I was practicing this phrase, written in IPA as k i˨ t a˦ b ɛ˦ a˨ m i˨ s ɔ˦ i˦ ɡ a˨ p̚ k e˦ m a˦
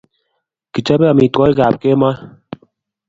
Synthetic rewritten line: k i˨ t͡ʃ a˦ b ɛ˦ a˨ m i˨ t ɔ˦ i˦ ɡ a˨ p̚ k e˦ m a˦